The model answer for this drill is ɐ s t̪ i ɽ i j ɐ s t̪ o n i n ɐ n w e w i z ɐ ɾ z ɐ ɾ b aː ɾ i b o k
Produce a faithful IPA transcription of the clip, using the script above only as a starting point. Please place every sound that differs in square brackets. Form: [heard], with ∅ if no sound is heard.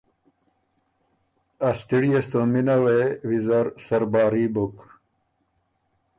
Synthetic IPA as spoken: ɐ s t̪ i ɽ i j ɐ s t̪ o [m] i n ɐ [∅] w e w i z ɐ ɾ [s] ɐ ɾ b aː ɾ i b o k